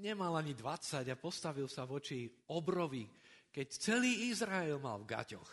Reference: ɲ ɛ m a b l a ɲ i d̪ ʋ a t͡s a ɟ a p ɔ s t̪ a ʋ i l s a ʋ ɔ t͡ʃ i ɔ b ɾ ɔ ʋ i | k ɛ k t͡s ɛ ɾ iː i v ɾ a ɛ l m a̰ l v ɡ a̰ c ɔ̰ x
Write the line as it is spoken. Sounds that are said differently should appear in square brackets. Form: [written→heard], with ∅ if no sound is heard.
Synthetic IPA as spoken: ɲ ɛ m a [b→∅] l a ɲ i d̪ ʋ a t͡s a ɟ a p ɔ s t̪ a ʋ i l s a ʋ ɔ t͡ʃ i ɔ b ɾ ɔ ʋ i | k ɛ [k→c] t͡s ɛ [ɾ→l] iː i [v→z] ɾ a ɛ l m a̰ l v ɡ a̰ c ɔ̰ x